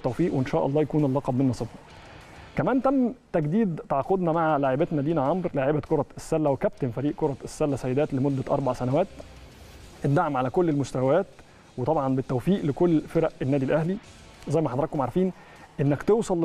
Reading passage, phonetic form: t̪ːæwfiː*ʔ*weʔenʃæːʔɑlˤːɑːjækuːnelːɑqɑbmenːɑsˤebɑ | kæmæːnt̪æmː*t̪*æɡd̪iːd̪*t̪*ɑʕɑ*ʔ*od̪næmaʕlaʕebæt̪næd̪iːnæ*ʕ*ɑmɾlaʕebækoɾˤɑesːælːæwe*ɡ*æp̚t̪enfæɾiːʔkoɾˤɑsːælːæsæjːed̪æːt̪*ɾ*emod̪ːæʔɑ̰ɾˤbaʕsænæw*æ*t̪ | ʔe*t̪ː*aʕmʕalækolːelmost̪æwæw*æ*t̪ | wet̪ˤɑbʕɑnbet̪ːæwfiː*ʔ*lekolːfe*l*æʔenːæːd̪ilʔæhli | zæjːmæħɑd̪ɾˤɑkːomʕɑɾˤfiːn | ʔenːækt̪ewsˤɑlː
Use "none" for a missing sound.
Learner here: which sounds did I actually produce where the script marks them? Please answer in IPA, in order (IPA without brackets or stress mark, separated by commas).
ʔ, t̪, t̪, q, ʕ, k, l, æː, d̪ː, æː, ʔ, ɾ